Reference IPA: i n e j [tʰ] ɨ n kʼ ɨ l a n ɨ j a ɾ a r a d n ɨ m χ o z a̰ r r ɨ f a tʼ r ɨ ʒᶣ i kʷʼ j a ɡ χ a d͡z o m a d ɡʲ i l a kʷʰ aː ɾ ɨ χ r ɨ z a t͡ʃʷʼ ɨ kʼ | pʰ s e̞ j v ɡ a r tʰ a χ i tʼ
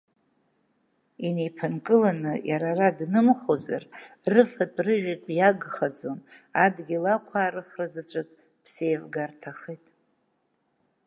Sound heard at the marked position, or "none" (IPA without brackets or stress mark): pʰ